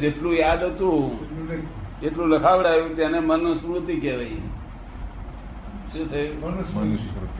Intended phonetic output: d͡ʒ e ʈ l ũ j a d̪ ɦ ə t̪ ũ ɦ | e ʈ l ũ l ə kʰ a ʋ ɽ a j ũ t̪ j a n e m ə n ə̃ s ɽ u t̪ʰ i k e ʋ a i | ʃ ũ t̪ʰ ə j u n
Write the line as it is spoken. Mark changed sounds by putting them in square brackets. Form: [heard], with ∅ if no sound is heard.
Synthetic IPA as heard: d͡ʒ e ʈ l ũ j a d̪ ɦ ə t̪ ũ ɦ | e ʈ l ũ l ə kʰ a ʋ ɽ a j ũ t̪ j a n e m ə n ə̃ s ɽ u [t̪] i k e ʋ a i | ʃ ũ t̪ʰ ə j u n